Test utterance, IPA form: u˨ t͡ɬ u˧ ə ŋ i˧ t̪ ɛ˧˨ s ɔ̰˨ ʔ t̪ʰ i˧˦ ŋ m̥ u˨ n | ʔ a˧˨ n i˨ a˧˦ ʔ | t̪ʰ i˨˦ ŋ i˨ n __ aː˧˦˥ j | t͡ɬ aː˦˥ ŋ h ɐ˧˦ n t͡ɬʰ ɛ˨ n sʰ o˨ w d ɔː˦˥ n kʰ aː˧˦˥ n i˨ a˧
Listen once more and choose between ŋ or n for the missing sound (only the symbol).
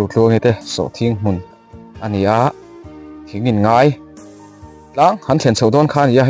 ŋ